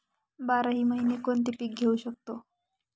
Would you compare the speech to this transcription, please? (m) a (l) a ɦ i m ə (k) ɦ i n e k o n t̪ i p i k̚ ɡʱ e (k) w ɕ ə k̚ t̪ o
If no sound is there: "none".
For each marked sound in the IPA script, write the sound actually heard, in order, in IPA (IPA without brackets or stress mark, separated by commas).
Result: b, ɾ, none, none